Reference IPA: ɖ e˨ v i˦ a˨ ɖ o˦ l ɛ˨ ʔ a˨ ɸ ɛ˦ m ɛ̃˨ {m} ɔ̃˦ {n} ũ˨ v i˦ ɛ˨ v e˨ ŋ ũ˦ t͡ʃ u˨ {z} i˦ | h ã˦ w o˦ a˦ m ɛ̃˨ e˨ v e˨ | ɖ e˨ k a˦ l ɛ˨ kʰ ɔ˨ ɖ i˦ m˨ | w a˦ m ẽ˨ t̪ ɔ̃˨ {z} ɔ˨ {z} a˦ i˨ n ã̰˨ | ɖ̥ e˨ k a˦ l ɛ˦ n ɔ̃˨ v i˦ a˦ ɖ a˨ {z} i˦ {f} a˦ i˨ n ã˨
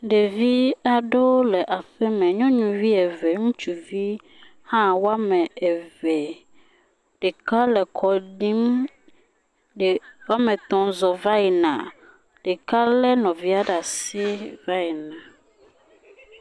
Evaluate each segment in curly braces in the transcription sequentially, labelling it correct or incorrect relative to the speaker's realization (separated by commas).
incorrect, incorrect, incorrect, correct, incorrect, incorrect, incorrect